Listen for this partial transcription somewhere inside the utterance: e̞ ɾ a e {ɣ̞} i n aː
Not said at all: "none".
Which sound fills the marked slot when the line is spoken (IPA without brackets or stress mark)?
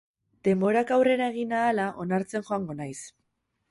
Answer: ɣ̞